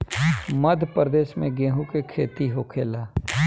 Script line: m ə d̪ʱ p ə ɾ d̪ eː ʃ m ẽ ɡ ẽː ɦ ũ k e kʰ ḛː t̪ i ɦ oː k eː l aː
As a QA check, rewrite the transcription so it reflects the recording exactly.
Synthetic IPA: m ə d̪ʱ p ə ɾ d̪ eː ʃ m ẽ ɡ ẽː ɦ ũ k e kʰ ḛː t̪ i ɦ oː kʰ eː l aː